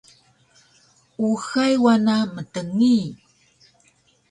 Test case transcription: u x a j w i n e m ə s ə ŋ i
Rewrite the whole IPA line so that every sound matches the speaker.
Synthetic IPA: u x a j w a n a m ə t ə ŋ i